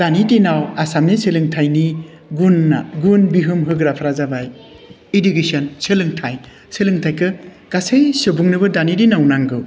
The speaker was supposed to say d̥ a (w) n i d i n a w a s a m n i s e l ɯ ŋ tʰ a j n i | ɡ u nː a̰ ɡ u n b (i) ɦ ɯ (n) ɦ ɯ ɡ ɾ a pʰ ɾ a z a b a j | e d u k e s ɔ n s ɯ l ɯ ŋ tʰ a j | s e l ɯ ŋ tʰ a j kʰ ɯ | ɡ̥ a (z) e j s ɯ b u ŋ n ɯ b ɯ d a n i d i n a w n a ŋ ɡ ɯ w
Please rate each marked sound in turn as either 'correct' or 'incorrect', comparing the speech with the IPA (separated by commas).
incorrect, correct, incorrect, incorrect